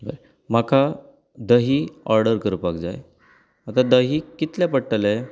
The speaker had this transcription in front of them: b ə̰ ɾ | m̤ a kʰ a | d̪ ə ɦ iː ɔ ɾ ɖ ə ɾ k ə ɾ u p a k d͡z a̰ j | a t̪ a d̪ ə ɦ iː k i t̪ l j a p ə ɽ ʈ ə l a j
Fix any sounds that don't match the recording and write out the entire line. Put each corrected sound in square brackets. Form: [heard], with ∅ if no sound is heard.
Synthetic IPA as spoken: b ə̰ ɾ | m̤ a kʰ a | d̪ ə ɦ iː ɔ ɾ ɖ ə ɾ k ə ɾ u p a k d͡z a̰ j | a t̪ a d̪ ə ɦ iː k i t̪ l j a p ə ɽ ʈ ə l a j